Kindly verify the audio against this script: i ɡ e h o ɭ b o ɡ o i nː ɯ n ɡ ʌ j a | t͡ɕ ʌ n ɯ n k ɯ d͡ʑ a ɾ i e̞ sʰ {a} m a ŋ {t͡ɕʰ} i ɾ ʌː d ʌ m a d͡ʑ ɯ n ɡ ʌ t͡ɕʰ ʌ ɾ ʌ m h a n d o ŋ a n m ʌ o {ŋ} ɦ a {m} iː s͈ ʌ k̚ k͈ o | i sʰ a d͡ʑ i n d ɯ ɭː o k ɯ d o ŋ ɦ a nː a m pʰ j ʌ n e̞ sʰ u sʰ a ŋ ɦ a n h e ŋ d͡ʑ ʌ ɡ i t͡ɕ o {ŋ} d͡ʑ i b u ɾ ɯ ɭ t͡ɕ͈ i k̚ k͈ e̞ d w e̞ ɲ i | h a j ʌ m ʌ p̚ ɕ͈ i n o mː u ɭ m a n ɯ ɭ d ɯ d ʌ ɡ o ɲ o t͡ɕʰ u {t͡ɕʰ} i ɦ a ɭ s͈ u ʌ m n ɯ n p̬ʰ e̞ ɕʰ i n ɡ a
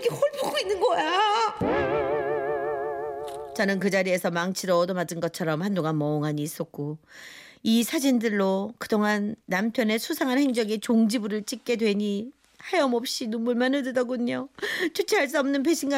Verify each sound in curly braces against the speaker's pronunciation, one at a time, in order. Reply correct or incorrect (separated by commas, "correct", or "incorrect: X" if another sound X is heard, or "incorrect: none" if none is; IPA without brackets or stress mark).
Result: incorrect: ʌ, correct, correct, incorrect: ɲ, correct, correct